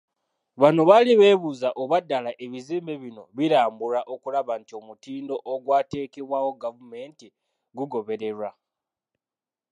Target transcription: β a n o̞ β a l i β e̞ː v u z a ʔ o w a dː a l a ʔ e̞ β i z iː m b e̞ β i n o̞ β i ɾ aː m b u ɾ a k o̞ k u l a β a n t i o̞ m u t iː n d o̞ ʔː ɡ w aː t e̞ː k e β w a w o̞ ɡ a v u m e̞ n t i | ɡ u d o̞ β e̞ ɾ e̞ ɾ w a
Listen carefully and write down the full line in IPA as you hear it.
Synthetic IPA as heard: β a n o̞ β a l i β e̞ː β u z a ʔ o β a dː a l a ʔ e̞ β i z iː m b e̞ β i n o̞ β i ɾ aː m b u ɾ a ʔ o̞ k u l a β a n t i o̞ m u t iː n d o̞ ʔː ɡ w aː t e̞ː k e β w a w o̞ ɡ a v u m e̞ n t i | ɡ u ɡ o̞ β e̞ ɾ e̞ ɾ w a